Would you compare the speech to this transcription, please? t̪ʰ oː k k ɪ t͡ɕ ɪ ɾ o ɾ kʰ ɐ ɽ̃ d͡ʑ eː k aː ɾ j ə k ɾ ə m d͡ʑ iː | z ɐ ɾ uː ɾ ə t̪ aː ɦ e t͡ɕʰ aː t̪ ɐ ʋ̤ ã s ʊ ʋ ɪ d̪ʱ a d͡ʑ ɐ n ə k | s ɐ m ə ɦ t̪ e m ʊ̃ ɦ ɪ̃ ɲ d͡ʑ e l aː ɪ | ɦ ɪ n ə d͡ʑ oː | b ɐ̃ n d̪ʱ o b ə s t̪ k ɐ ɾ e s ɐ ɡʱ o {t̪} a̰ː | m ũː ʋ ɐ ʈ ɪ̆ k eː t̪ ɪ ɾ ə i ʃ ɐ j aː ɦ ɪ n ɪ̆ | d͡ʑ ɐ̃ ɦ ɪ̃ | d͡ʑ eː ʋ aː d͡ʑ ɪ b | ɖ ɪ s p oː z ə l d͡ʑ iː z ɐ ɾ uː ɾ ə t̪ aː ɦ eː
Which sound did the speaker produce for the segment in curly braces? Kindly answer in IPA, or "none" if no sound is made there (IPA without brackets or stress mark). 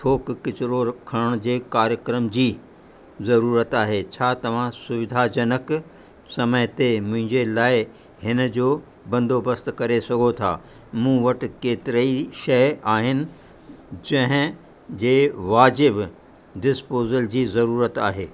t̪ʰ